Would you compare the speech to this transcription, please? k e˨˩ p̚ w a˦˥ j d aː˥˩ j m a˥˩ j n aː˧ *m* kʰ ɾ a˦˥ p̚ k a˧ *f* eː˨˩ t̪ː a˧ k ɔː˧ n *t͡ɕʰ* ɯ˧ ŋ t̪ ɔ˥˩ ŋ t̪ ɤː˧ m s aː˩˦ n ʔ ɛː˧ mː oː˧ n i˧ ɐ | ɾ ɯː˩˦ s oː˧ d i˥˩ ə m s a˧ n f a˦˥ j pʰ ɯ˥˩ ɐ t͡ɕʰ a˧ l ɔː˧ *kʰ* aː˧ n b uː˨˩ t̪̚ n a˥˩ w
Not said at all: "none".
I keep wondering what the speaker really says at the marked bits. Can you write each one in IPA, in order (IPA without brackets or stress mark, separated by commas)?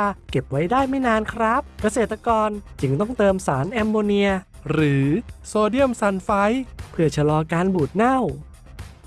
n, s, t͡ɕ, k